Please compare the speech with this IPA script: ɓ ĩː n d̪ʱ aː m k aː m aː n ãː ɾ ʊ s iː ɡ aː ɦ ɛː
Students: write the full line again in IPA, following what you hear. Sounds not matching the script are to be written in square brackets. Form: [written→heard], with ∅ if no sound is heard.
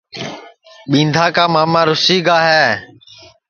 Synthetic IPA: ɓ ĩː n d̪ʱ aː [m→∅] k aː m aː [n→m] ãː ɾ ʊ s iː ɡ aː ɦ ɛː